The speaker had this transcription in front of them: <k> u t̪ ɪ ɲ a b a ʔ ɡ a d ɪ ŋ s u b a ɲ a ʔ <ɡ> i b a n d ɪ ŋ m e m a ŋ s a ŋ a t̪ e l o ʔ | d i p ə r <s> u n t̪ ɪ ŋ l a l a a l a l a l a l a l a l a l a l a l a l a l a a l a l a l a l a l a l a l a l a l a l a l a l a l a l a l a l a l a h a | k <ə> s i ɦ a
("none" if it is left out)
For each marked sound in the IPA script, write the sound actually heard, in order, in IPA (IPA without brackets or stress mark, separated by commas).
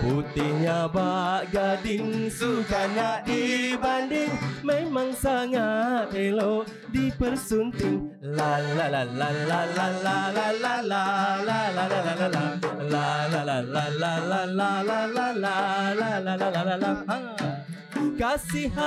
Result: p, d, s, a